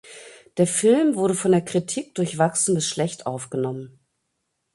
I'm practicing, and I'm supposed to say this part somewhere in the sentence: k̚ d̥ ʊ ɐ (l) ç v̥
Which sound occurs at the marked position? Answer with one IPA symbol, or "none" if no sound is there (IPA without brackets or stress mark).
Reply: none